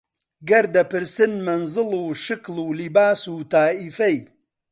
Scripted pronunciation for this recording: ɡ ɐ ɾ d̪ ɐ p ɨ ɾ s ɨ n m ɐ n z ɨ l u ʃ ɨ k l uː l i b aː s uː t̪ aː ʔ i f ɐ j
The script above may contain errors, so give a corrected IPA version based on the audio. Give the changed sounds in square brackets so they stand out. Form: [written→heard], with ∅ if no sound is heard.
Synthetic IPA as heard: ɡ ɐ ɾ d̪ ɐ p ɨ ɾ s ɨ n m ɐ n z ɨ l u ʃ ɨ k l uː l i b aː s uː t̪ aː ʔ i f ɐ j